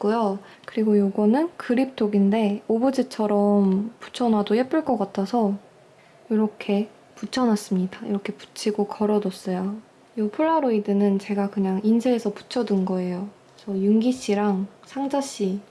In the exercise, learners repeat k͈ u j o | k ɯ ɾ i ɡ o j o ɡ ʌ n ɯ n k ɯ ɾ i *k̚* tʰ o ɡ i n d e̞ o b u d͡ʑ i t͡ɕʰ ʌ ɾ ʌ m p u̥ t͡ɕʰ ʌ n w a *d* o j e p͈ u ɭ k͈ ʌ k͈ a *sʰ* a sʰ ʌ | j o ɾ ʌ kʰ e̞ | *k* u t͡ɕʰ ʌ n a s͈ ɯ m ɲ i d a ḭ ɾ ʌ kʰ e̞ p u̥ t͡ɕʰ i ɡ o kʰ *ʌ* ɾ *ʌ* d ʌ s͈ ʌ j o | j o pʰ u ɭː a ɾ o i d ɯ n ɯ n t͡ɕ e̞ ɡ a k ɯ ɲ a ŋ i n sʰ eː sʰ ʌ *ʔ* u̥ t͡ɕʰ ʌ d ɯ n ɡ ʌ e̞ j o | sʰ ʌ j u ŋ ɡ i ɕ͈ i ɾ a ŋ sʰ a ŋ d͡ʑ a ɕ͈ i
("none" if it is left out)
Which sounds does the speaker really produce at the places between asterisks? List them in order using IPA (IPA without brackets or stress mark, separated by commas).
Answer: p̚, d, tʰ, p, ʌ, ʌ, p